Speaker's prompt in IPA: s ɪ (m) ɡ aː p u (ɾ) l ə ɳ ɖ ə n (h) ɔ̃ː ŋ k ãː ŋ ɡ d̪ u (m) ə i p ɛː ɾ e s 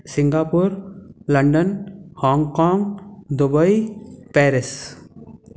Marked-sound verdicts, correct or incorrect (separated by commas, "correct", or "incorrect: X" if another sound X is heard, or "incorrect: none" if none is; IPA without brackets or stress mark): incorrect: ŋ, correct, correct, incorrect: b